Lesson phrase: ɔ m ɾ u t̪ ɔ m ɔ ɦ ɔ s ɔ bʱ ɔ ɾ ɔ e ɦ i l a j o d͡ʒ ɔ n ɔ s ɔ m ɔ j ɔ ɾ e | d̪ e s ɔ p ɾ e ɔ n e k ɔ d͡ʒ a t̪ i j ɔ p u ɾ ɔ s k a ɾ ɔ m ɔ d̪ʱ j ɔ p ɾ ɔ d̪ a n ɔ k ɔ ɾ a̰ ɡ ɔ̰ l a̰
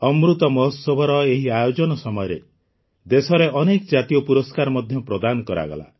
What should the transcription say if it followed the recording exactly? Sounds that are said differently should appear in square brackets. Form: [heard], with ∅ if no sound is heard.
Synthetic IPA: ɔ m ɾ u t̪ ɔ m ɔ ɦ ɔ s ɔ bʱ ɔ ɾ ɔ e ɦ i [∅] a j o d͡ʒ ɔ n ɔ s ɔ m ɔ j ɔ ɾ e | d̪ e s ɔ [∅] ɾ e ɔ n e k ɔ d͡ʒ a t̪ i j ɔ p u ɾ ɔ s k a ɾ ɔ m ɔ d̪ʱ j ɔ p ɾ ɔ d̪ a n ɔ k ɔ ɾ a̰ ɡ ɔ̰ l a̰

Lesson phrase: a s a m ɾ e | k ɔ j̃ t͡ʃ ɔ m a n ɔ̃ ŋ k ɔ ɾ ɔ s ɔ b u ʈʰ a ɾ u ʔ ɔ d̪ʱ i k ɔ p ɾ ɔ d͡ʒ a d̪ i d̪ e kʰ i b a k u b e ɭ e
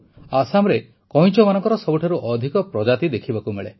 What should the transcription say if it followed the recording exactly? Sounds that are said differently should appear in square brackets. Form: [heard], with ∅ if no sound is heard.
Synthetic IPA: a s a m ɾ e | k ɔ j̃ t͡ʃ ɔ m a n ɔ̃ ŋ k ɔ ɾ ɔ s ɔ b u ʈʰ a ɾ u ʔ ɔ d̪ʱ i k ɔ p ɾ ɔ d͡ʒ a [t̪] i d̪ e kʰ i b a k u [m] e ɭ e

